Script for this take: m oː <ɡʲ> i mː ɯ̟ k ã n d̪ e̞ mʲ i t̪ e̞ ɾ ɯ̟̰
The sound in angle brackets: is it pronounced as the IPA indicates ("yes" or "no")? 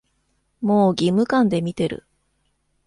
yes